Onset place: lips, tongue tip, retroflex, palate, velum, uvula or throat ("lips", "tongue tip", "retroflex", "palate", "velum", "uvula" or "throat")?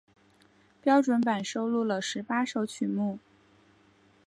lips